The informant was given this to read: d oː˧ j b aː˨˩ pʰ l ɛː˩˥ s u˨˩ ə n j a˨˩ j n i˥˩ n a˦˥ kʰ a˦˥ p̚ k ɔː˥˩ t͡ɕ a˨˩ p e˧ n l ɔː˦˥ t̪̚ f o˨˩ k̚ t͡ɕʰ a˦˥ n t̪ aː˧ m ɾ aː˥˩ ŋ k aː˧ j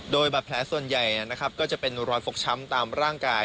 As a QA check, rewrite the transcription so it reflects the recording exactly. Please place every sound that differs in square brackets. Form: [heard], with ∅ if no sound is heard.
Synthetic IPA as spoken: d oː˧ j b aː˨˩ pʰ l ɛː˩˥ s u˨˩ ə n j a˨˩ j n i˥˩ n a˦˥ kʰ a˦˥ p̚ k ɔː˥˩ t͡ɕ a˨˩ p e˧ n [ɾ] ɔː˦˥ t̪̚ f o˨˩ k̚ t͡ɕʰ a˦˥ [m] t̪ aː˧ m ɾ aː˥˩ ŋ k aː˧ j